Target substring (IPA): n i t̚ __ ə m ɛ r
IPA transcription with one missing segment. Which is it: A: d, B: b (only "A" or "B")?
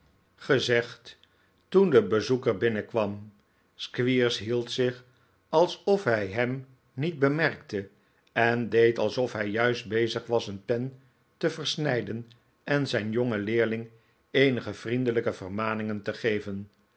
B